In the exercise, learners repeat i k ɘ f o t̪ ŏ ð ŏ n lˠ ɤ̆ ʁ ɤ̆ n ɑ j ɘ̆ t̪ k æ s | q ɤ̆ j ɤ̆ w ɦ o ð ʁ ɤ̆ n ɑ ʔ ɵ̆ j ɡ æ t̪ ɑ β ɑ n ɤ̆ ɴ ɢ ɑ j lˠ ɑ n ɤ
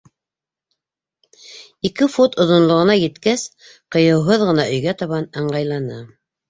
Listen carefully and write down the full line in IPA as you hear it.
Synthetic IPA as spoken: i k ɘ f o t̪ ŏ ð ŏ n lˠ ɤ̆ ʁ ɤ̆ n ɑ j ɘ̆ t̪ k æ s | q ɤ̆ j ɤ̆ w ɦ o ð ʁ ɤ̆ n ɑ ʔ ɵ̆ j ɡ æ t̪ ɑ β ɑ n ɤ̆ ɴ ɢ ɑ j lˠ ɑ n ɤ